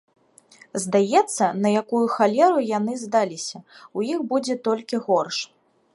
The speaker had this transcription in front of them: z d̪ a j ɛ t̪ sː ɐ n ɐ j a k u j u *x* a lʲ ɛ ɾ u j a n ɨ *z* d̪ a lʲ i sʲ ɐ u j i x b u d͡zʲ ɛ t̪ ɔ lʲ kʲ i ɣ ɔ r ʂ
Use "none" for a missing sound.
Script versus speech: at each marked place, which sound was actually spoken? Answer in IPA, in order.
x, z

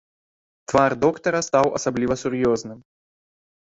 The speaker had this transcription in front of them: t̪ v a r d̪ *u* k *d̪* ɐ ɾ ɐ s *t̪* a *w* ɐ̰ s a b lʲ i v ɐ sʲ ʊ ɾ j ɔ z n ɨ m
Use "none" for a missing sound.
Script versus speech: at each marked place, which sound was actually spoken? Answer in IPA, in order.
ɔ, t̪, t̪, w

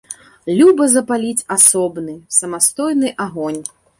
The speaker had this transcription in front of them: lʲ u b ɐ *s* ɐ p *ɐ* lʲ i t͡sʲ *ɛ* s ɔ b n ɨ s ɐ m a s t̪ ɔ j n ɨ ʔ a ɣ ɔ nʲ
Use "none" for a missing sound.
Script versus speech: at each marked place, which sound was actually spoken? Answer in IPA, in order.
z, a, a

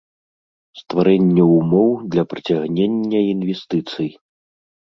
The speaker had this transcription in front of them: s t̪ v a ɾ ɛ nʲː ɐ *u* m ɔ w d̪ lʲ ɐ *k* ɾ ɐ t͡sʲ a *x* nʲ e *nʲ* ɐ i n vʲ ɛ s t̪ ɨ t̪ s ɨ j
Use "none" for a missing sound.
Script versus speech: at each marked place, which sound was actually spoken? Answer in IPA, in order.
u, p, ɣ, nʲː

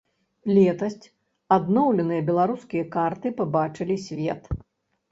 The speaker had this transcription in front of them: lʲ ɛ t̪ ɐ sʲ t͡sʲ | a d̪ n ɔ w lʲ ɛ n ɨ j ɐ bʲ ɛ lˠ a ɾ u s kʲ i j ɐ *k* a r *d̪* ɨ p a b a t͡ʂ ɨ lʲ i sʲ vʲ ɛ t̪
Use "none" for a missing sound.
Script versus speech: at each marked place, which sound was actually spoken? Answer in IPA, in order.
k, t̪

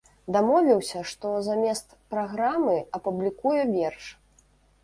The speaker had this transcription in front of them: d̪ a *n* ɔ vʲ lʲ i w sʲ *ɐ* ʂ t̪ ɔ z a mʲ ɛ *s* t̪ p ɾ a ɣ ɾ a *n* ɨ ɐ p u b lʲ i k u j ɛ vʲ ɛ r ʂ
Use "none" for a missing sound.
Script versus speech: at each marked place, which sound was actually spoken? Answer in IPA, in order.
m, ɐ, s, m

